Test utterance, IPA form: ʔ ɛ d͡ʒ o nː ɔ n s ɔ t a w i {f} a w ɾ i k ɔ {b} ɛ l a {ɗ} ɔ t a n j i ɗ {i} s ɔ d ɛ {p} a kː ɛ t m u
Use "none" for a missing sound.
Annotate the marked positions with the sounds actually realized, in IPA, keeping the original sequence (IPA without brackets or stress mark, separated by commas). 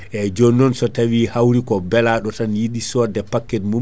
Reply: h, b, ɗ, i, p